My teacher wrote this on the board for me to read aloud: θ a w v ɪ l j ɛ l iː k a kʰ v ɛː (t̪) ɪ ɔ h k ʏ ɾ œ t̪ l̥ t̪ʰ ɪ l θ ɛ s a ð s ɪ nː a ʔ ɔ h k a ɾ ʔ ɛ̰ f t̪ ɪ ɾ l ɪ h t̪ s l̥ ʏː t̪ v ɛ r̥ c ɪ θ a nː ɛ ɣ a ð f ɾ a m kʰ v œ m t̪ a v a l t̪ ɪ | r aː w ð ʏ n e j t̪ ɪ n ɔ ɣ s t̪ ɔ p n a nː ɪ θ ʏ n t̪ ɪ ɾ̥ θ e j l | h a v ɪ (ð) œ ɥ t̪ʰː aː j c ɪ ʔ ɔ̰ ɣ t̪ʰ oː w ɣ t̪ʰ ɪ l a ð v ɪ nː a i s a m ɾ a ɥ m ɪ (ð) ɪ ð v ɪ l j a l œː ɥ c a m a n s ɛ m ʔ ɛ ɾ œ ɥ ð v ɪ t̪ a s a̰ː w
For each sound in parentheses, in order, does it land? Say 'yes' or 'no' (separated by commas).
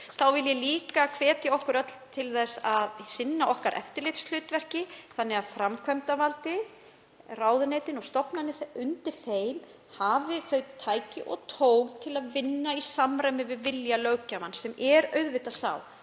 yes, no, no